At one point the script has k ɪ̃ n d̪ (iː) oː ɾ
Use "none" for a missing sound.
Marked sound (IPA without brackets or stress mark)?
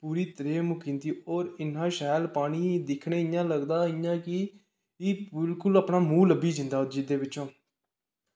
iː